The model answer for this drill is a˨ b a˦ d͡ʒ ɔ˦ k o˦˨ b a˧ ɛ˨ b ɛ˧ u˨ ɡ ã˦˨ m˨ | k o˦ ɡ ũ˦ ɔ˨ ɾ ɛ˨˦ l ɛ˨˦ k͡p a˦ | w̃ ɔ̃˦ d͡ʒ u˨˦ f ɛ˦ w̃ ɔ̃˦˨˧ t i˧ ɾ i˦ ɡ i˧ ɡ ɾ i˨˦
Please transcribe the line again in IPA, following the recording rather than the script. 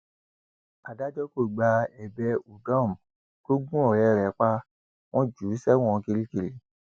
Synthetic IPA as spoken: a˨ d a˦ d͡ʒ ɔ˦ k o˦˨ ɡ͡b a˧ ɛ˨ b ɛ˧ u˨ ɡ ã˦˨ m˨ | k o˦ ɡ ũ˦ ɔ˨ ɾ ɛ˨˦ ɾ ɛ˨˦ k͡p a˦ | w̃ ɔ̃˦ d͡ʒ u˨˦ s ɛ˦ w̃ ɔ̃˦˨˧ k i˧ ɾ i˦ k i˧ ɾ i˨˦